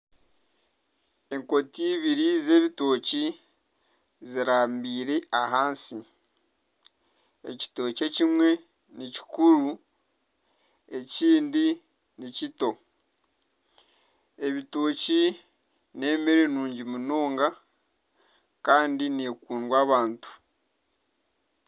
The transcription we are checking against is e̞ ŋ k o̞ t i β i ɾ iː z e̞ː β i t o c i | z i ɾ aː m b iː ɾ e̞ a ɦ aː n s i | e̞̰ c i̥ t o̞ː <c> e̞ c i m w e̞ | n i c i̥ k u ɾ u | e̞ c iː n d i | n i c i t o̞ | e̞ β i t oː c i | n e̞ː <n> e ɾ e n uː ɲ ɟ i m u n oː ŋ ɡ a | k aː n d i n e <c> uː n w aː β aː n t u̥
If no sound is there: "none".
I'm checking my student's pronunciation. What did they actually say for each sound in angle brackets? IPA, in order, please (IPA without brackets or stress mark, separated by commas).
c, m, k